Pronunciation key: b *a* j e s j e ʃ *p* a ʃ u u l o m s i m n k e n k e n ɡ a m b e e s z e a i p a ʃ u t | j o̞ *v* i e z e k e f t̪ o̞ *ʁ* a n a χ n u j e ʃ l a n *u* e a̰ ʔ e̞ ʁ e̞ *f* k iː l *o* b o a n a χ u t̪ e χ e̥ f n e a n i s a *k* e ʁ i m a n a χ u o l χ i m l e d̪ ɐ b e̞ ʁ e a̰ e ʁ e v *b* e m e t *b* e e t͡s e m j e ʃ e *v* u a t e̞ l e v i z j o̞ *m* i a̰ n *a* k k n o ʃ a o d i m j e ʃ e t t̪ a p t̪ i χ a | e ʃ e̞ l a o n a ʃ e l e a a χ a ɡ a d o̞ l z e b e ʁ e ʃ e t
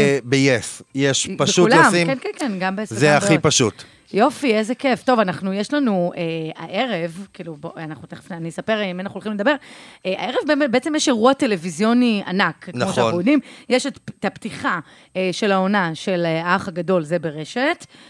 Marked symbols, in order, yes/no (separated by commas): no, yes, no, no, yes, no, no, no, yes, yes, no, no, yes